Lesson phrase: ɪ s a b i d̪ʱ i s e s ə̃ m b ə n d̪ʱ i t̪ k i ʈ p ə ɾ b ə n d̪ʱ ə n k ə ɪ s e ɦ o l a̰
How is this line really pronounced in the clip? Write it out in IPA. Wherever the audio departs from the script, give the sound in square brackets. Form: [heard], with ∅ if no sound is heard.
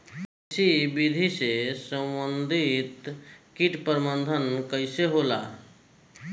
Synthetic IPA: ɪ s [i] b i d̪ʱ i s e s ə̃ m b ə n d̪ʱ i t̪ k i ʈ p ə ɾ [m] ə n d̪ʱ ə n k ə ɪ s e ɦ o l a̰